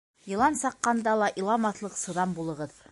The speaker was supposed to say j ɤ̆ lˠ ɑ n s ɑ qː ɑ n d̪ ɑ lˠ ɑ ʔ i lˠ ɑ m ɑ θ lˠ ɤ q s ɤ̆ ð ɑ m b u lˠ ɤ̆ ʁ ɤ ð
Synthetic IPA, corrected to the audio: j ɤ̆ lˠ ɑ n s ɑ qː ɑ n d̪ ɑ lˠ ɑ ʔ i lˠ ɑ m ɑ θ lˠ ɤ q s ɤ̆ ð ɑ m b u lˠ ɤ̆ ʁ ɤ ð